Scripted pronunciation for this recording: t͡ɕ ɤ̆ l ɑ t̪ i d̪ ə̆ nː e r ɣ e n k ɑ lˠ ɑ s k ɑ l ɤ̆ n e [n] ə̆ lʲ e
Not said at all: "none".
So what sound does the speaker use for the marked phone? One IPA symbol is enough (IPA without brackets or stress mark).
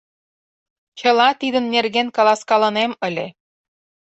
m